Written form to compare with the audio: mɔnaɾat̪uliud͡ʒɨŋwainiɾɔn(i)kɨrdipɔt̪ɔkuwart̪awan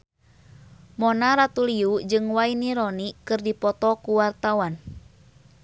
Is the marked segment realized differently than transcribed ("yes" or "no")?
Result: no